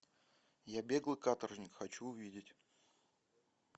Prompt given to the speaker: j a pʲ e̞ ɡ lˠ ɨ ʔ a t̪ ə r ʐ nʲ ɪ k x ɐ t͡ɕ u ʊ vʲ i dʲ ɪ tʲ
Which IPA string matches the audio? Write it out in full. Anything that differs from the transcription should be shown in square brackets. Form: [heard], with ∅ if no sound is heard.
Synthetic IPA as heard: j a [bʲ] e̞ ɡ lˠ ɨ [k] a t̪ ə r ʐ nʲ ɪ k x ɐ t͡ɕ u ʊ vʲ i dʲ ɪ tʲ